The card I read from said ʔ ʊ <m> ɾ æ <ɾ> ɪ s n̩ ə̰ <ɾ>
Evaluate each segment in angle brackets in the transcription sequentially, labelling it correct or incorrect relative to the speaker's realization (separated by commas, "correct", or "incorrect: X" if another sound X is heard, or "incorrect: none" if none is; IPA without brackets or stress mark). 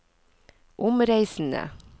correct, incorrect: none, incorrect: none